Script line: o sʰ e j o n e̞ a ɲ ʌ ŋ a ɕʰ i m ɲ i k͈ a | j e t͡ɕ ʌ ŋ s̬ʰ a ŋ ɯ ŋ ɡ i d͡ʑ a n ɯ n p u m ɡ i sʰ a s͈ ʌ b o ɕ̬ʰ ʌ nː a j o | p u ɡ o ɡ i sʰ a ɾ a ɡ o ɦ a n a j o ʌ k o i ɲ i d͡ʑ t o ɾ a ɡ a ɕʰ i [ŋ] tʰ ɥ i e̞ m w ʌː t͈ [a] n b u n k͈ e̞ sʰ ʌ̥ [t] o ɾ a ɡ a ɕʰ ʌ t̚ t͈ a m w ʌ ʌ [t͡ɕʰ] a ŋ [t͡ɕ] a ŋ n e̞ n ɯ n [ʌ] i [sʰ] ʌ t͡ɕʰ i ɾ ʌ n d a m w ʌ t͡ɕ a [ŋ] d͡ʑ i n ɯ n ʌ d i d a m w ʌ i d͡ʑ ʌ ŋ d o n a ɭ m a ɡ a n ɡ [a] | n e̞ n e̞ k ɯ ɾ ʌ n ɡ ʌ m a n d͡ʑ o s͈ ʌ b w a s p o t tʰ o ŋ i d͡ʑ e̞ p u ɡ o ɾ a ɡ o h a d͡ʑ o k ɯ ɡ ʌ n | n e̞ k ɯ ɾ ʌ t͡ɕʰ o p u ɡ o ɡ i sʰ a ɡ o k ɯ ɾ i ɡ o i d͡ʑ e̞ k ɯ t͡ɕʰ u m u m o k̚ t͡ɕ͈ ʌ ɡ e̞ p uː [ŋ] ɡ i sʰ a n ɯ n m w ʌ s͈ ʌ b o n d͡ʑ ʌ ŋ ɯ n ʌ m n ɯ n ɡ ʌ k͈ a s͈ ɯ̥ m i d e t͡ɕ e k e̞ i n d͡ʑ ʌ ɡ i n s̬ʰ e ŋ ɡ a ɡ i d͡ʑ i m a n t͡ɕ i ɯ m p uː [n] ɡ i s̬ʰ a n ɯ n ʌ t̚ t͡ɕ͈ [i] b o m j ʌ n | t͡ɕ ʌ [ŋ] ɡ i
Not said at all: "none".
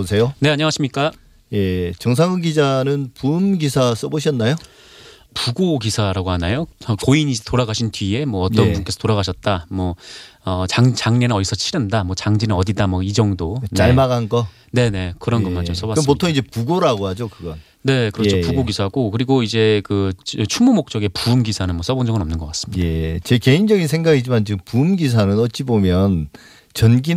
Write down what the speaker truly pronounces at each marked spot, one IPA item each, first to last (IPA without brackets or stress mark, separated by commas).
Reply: n, ʌ, t, t͡ɕ, t͡ɕ, ʌ, sʰ, ŋ, ʌ, m, m, i, n